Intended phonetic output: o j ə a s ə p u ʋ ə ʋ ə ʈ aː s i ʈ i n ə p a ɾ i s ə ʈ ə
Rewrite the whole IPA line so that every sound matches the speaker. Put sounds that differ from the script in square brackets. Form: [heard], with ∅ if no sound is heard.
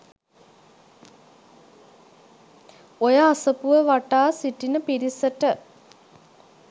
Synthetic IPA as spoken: o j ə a s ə p u ʋ ə ʋ [a] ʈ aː s i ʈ i n ə p [i] ɾ i s ə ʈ ə